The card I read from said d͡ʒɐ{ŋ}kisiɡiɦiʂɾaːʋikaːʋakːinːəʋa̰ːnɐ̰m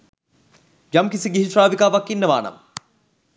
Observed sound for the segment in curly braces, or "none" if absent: m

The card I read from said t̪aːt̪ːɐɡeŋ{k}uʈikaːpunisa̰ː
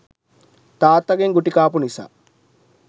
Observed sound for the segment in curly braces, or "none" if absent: ɡ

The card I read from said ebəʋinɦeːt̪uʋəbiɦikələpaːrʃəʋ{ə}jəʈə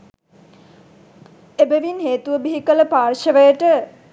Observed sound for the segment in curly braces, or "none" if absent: ə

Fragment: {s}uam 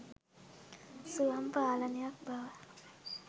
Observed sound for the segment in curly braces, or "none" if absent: s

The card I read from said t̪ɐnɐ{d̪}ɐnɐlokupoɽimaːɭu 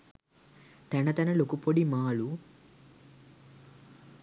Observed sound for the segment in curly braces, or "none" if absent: t̪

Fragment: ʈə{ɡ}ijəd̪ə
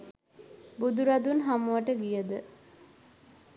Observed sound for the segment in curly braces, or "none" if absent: ɡ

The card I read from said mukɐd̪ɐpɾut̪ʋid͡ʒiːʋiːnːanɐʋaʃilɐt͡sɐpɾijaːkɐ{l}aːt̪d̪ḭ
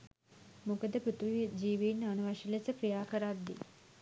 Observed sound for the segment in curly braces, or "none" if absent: ɾ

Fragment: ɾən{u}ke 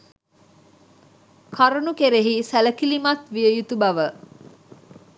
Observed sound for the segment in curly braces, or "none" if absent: u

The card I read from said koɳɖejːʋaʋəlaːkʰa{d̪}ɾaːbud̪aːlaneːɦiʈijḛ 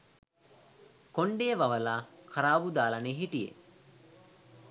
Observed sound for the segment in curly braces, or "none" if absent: none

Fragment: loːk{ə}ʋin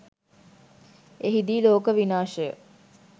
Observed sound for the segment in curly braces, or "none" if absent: ə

